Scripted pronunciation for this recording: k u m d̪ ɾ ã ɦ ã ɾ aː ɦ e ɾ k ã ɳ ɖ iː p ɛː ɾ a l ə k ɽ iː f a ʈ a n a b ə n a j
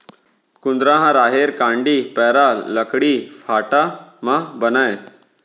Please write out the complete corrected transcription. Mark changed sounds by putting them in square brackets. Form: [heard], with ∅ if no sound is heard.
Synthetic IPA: k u [n] d̪ ɾ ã ɦ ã ɾ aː ɦ e ɾ k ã ɳ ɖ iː p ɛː ɾ a l ə k ɽ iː f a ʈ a [m] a b ə n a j